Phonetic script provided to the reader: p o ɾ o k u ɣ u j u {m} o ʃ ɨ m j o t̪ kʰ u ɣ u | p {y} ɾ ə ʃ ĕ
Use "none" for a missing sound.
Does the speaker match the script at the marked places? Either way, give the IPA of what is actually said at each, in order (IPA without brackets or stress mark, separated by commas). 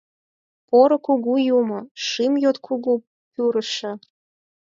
m, y